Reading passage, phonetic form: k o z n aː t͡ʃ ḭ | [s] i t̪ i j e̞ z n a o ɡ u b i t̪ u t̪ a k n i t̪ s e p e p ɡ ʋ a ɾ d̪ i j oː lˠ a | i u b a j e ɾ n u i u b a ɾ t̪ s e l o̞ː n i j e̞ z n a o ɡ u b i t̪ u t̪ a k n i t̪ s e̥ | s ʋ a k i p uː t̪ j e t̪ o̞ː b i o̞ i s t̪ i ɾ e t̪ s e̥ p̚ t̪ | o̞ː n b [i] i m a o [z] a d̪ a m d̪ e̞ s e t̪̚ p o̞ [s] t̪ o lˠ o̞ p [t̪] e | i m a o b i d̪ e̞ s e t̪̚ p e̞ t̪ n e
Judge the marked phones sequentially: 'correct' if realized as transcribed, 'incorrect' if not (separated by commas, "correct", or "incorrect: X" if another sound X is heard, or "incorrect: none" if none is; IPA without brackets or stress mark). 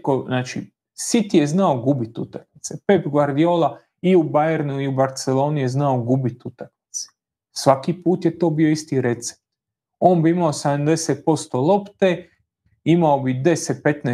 correct, correct, incorrect: s, correct, correct